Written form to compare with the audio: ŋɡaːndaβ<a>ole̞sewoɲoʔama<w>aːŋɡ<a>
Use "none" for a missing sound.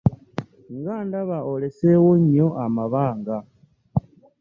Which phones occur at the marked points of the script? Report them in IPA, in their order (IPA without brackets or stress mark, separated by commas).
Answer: a, β, a